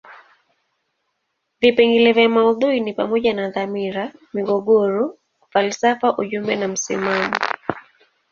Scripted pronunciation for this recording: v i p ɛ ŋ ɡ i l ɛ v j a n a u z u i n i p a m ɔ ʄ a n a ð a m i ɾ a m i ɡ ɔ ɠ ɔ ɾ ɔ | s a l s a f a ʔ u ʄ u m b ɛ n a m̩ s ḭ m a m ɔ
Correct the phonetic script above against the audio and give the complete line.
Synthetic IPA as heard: v i p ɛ ŋ ɡ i l ɛ v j a m a u ð u i n i p a m ɔ ʄ a n a ð a m i ɾ a m i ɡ ɔ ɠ ɔ ɾ ɔ | f a l s a f a ʔ u ʄ u m b ɛ n a m̩ s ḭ m a m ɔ